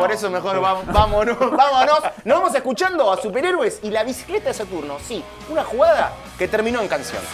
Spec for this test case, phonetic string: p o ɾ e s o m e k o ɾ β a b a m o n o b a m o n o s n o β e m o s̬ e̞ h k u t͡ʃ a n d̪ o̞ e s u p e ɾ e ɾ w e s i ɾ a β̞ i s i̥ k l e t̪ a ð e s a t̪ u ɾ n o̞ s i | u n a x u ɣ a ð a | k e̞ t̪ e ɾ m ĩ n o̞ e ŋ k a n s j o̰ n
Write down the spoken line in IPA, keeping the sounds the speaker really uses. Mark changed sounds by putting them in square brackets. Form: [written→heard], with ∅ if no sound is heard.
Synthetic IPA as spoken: p o ɾ e s o m e [k→x] o ɾ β a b a m o n o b a m o n o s n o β [e→a] m o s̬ e̞ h k u t͡ʃ a n d̪ o̞ [e→a] s u p e ɾ e ɾ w e s i [ɾ→l] a β̞ i s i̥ k l e t̪ a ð e s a t̪ u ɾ n o̞ s i | u n a x u ɣ a ð a | k e̞ t̪ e ɾ m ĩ n o̞ e ŋ k a n s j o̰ n